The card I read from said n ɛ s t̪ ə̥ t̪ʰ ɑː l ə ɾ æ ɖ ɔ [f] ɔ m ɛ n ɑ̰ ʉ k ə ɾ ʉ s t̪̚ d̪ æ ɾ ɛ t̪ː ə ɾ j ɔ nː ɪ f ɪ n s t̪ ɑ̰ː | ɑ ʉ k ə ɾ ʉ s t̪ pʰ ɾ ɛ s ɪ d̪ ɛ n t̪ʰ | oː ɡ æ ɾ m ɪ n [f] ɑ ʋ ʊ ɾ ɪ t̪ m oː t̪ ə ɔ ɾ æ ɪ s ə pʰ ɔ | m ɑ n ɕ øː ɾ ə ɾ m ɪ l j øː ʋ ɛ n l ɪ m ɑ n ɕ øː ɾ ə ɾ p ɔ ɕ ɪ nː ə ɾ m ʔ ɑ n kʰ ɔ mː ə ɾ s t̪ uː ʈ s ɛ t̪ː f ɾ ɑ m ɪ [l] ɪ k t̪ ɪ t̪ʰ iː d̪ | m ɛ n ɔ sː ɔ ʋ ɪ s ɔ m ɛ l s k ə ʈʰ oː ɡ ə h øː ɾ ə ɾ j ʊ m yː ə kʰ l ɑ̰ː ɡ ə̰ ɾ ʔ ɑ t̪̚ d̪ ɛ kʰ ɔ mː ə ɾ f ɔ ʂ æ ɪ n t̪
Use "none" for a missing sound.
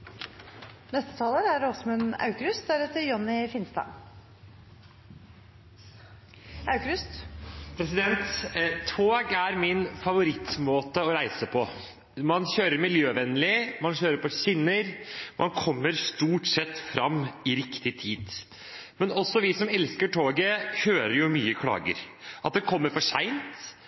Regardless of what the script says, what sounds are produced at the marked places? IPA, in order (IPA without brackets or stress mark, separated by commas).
s, f, ɾ